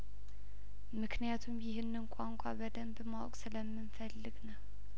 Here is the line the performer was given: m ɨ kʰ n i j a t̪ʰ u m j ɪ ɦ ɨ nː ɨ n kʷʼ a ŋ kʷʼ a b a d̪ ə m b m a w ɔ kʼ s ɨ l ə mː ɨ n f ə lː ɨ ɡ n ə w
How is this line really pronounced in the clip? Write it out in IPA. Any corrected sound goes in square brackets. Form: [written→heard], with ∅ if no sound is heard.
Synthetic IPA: m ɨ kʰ n i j a t̪ʰ u m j ɪ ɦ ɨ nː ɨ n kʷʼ a ŋ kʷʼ a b [a→ə] d̪ ə m b m a w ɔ kʼ s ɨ l ə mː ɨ n f ə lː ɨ ɡ n ə w